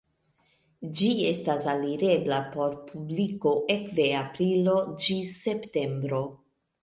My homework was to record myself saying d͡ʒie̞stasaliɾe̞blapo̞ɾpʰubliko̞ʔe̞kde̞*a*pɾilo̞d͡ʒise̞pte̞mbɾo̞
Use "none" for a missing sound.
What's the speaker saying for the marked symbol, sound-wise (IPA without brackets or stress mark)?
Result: a